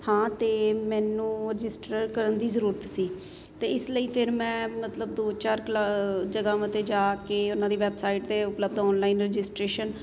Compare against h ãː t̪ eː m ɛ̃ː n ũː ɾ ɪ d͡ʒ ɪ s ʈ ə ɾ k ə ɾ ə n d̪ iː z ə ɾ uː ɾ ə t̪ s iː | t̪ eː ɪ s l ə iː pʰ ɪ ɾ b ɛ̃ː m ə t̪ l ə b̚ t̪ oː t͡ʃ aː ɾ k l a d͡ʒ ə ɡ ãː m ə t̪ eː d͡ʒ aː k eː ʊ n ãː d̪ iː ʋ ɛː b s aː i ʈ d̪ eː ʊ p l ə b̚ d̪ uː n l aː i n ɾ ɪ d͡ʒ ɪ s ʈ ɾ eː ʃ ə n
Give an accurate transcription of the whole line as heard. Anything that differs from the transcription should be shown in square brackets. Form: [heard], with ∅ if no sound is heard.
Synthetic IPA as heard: h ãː t̪ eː m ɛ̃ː n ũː ɾ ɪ d͡ʒ ɪ s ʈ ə ɾ k ə ɾ ə n d̪ iː z ə ɾ uː ɾ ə t̪ s iː | t̪ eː ɪ s l ə iː pʰ ɪ ɾ [m] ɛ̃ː m ə t̪ l ə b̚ [d̪] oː t͡ʃ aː ɾ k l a d͡ʒ ə ɡ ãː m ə t̪ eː d͡ʒ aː k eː ʊ n ãː d̪ iː ʋ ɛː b s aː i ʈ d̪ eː ʊ p l ə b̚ d̪ [ɔː] n l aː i n ɾ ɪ d͡ʒ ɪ s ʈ ɾ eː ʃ ə n

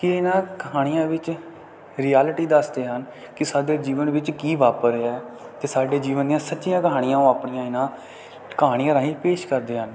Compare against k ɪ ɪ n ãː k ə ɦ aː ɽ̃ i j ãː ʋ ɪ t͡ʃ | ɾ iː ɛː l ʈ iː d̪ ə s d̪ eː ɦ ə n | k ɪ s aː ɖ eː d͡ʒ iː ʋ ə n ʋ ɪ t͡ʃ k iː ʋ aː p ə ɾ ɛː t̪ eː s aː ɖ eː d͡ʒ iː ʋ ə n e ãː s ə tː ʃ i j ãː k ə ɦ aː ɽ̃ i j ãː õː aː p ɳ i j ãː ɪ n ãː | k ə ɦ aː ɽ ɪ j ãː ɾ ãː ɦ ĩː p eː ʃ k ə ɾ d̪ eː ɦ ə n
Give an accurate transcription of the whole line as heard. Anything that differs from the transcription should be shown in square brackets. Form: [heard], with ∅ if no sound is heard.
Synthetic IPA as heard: k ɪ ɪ n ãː k ə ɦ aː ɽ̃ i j ãː ʋ ɪ t͡ʃ | ɾ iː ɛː l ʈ iː d̪ ə s d̪ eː ɦ ə n | k ɪ s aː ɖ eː d͡ʒ iː ʋ ə n ʋ ɪ t͡ʃ k iː ʋ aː p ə ɾ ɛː t̪ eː s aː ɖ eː d͡ʒ iː ʋ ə n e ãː s ə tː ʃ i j ãː k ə ɦ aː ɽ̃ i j ãː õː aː p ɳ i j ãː ɪ n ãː | k ə ɦ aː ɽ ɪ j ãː ɾ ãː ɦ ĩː p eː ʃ k ə ɾ d̪ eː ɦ ə n

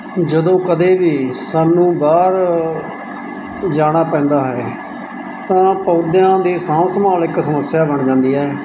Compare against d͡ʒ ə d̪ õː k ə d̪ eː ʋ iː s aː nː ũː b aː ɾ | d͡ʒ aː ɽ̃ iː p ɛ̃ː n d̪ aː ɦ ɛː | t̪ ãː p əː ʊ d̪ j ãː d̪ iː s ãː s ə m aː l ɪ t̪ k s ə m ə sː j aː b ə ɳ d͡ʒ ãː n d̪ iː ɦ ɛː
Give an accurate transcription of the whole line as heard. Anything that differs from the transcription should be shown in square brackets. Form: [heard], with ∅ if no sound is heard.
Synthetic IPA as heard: d͡ʒ ə d̪ õː k ə d̪ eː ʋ iː s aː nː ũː b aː ɾ | d͡ʒ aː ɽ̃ [aː] p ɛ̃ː n d̪ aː ɦ ɛː | t̪ ãː p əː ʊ d̪ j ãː d̪ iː s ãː s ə m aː l ɪ [∅] k s ə m ə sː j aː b ə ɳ d͡ʒ ãː n d̪ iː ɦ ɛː

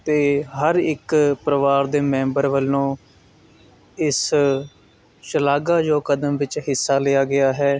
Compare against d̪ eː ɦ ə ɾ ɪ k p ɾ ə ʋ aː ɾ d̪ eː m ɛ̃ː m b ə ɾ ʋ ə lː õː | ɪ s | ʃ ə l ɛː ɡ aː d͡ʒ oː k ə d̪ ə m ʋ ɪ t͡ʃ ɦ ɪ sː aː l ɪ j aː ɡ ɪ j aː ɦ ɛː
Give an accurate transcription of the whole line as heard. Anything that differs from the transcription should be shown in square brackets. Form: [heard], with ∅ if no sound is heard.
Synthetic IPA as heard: [t̪] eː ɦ ə ɾ ɪ k p ɾ ə ʋ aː ɾ d̪ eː m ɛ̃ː m b ə ɾ ʋ ə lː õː | ɪ s | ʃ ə l [aː] ɡ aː d͡ʒ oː k ə d̪ ə m ʋ ɪ t͡ʃ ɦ ɪ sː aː l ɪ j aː ɡ ɪ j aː ɦ ɛː

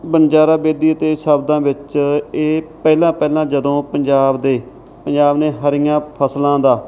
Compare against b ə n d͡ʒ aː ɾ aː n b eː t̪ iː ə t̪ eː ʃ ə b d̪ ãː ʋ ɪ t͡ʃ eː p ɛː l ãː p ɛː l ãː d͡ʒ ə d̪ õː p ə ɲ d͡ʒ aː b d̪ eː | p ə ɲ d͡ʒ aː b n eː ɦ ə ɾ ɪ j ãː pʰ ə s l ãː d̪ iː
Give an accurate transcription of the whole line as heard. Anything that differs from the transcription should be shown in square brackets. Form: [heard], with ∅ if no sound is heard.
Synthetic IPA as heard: b ə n d͡ʒ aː ɾ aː [∅] b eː [d̪] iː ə t̪ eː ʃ ə b d̪ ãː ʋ ɪ t͡ʃ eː p ɛː l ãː p ɛː l ãː d͡ʒ ə d̪ õː p ə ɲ d͡ʒ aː b d̪ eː | p ə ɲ d͡ʒ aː b n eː ɦ ə ɾ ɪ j ãː pʰ ə s l ãː d̪ [aː]

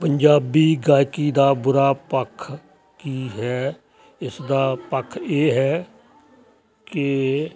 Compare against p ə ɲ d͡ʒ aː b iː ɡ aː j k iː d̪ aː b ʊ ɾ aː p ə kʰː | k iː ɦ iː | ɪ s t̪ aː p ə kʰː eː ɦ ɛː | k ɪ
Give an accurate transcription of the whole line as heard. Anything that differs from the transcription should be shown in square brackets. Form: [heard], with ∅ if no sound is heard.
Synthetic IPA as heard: p ə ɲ d͡ʒ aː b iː ɡ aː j k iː d̪ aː b ʊ ɾ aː p ə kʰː | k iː ɦ [ɛː] | ɪ s [d̪] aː p ə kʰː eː ɦ ɛː | k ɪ

